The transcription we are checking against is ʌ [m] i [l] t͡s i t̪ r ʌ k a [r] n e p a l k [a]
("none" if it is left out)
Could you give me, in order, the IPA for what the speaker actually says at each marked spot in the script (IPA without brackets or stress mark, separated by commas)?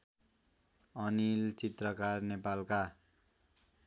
n, l, r, a